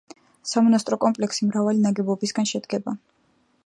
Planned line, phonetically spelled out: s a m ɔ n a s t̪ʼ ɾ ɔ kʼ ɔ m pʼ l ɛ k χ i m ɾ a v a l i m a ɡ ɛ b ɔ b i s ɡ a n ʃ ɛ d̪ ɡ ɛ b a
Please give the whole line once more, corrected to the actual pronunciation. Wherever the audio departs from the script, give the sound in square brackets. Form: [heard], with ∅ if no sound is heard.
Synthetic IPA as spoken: s a m ɔ n a s t̪ʼ ɾ ɔ kʼ ɔ m pʼ l ɛ k [s] i m ɾ a v a l i [n] a ɡ ɛ b ɔ b i s ɡ a n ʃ ɛ d̪ ɡ ɛ b a